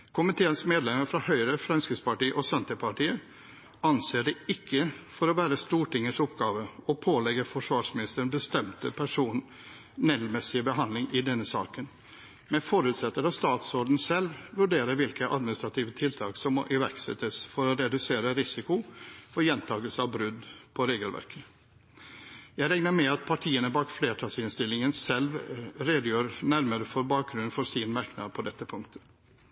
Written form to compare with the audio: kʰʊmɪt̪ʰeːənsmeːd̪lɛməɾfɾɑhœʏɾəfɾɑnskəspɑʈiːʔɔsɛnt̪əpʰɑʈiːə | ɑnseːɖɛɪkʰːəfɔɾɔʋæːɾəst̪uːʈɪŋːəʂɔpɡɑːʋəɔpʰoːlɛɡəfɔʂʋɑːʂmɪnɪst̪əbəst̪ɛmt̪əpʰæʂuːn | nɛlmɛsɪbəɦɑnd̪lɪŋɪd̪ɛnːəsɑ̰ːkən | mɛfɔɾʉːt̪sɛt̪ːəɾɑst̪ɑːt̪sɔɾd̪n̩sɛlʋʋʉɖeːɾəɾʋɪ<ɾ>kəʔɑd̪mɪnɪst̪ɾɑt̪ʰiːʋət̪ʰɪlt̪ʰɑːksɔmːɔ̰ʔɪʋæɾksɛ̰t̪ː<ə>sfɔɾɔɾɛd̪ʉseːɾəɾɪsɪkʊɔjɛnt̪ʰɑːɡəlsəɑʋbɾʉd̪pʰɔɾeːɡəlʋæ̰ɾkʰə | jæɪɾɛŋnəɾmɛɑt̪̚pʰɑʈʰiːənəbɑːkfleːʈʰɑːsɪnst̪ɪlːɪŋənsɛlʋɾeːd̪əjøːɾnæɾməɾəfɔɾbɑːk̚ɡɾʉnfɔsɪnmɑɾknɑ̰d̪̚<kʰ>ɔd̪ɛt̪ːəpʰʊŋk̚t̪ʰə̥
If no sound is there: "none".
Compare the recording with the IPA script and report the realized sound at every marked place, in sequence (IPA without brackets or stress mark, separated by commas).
l, ə, pʰ